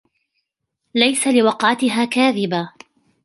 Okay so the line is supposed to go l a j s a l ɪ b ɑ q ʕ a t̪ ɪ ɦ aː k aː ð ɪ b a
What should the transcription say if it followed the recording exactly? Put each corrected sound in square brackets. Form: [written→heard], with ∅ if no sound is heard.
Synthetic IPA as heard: l a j s a l ɪ [b→w] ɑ q ʕ a t̪ ɪ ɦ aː k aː ð ɪ b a